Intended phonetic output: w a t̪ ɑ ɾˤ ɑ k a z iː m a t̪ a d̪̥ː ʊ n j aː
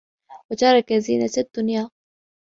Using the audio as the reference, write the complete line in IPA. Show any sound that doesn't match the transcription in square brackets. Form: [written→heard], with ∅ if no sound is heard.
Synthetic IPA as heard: w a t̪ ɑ ɾˤ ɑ k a z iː [m→n] a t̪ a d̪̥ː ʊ n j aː

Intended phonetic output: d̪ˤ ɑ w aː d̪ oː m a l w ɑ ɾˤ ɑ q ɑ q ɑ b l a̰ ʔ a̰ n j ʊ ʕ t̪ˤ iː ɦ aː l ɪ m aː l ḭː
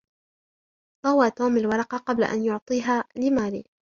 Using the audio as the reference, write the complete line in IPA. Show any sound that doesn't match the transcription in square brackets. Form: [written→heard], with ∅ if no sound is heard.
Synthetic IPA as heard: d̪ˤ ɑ w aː [d̪→t̪] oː m a l w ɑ ɾˤ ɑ q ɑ q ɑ b l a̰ ʔ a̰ n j ʊ ʕ t̪ˤ iː ɦ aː l ɪ m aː l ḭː

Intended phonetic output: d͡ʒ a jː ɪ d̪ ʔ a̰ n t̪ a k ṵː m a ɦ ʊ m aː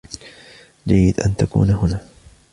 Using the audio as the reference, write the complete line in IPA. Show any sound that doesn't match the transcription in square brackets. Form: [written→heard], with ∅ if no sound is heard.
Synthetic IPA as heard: d͡ʒ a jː ɪ d̪ ʔ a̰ n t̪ a k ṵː [m→n] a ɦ ʊ [m→n] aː

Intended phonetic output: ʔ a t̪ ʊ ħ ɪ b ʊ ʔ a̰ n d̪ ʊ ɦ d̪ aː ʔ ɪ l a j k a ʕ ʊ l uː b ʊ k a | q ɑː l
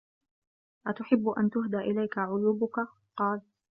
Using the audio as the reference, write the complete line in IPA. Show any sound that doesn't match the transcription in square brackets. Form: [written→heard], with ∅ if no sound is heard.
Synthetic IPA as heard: ʔ a t̪ ʊ ħ ɪ [b→bː] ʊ ʔ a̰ n [d̪→t̪] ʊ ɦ d̪ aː ʔ ɪ l a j k a ʕ ʊ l uː b ʊ k a | q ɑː l

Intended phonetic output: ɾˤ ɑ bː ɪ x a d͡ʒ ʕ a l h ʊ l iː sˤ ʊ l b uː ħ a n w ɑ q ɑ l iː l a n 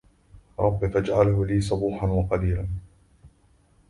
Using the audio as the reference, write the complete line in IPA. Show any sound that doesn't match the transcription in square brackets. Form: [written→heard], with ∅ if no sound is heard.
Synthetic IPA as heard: ɾˤ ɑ bː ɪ [x→f] a d͡ʒ ʕ a l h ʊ l iː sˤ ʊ [l→∅] b uː ħ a n w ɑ q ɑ l iː l a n

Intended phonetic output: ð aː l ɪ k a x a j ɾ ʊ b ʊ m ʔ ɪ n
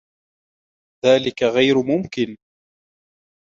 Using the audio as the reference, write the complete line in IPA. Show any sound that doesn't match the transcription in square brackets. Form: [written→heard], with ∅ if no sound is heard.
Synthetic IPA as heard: ð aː l ɪ k a [x→ɣ] a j ɾ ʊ [b→m] ʊ m [ʔ→k] ɪ n

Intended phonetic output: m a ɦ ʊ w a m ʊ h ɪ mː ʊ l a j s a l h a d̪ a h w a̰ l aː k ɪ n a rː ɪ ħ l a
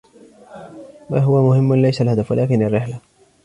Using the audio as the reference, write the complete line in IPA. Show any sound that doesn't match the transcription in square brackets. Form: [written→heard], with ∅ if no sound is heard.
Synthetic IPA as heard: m a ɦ ʊ w a m ʊ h ɪ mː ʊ l a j s a l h a d̪ a [h→f] w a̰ l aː k ɪ n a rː ɪ ħ l a

